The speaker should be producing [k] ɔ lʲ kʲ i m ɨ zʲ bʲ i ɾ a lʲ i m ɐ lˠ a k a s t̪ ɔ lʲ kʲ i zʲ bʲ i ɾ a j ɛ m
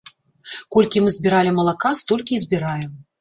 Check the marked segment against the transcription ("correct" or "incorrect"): correct